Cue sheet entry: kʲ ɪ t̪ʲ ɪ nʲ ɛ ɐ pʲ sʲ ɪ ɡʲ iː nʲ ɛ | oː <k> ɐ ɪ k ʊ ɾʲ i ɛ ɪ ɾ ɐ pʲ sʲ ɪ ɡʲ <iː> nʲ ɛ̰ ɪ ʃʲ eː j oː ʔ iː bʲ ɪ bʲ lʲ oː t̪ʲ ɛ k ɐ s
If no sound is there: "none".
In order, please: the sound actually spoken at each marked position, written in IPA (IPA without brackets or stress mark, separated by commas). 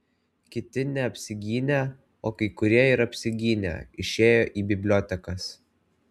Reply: k, iː